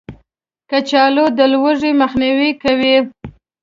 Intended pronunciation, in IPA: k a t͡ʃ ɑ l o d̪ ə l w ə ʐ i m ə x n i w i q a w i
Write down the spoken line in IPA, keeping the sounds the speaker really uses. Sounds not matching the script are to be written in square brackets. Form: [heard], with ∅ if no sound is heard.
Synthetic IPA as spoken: k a t͡ʃ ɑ l o d̪ ə l w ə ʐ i m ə x n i w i [k] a w i